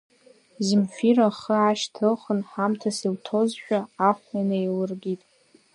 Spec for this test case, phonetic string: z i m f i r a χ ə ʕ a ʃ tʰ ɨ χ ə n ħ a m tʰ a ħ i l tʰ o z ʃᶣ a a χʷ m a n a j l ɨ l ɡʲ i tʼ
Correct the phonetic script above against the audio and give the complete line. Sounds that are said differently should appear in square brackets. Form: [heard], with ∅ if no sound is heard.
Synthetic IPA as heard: z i m f i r a χ ə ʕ a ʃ tʰ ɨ χ ə n ħ a m tʰ a [s] i l tʰ o z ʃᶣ a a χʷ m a n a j l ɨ [r] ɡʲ i tʼ